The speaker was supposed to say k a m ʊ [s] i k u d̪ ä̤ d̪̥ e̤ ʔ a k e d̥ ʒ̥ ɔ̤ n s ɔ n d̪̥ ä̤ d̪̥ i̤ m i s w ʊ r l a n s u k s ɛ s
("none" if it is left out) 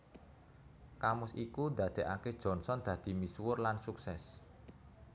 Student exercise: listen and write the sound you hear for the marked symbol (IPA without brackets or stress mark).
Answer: s